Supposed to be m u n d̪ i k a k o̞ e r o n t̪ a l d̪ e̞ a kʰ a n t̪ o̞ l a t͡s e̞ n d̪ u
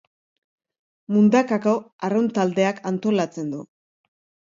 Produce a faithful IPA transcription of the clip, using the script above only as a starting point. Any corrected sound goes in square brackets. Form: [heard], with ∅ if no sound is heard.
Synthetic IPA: m u n d̪ [a] k a k o̞ [a] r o n t̪ a l d̪ e̞ a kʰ a n t̪ o̞ l a t͡s e̞ n d̪ u